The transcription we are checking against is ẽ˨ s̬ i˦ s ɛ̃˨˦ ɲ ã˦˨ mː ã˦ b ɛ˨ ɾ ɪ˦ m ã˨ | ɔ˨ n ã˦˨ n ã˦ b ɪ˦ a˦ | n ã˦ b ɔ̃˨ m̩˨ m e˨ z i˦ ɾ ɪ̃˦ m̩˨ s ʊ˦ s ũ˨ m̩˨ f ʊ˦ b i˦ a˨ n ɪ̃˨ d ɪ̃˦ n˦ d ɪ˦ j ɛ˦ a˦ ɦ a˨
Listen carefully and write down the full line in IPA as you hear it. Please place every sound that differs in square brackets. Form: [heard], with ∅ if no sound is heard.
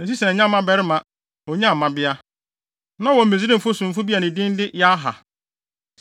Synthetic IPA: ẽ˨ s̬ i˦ s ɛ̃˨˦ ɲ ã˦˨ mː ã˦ b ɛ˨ ɾ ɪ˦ m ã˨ | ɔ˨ [ɲ] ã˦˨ [m] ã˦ b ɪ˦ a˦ | n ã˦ [w] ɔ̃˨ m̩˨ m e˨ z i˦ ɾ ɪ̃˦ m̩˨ [f] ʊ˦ s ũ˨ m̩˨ f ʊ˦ b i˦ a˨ n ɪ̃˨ d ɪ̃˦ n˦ d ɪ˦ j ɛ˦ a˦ ɦ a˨